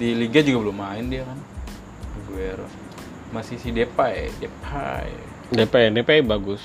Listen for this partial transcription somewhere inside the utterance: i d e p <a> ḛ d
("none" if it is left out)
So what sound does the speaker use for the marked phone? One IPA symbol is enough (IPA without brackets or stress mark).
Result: a